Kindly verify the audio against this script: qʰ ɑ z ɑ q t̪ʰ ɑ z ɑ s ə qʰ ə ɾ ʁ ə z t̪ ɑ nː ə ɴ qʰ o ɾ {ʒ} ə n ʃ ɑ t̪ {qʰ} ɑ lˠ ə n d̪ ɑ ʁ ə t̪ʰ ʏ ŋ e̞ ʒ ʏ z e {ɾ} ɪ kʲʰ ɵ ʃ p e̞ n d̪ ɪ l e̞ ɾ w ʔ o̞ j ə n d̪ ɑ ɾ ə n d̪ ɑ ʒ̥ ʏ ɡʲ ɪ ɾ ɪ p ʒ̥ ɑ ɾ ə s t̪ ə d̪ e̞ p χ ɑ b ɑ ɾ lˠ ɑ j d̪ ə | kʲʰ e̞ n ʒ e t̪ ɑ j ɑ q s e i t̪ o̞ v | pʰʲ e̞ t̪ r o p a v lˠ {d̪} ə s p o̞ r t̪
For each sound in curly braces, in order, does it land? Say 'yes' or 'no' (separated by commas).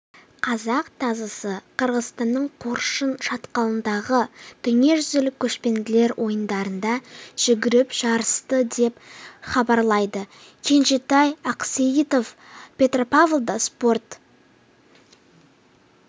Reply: no, no, no, yes